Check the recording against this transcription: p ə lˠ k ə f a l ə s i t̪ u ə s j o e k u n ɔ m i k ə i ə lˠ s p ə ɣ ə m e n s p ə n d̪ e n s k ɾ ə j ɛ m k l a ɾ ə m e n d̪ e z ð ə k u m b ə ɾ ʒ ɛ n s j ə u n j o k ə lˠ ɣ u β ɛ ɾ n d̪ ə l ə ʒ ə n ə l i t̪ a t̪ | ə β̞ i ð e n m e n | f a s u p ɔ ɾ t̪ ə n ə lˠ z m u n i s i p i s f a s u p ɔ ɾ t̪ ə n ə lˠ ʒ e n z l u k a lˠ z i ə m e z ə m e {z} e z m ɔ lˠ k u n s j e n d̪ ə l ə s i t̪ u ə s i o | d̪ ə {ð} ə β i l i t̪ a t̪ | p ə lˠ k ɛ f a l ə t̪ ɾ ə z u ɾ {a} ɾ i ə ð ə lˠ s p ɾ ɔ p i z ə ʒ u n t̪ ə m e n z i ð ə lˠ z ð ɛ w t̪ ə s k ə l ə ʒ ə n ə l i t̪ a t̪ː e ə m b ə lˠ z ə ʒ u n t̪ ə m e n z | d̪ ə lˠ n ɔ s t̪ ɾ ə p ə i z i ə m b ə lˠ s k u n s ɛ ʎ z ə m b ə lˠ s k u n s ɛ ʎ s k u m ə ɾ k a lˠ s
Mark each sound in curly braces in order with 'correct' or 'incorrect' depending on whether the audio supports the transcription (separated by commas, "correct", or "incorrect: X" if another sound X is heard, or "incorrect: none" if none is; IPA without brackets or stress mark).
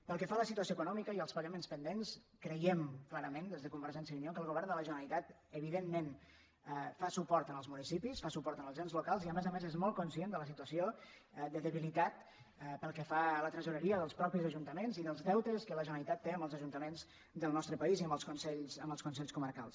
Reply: correct, correct, incorrect: ə